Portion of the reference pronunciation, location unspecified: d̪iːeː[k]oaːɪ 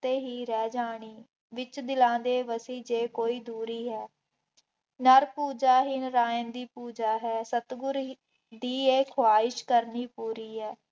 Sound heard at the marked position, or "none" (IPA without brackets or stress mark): kʰ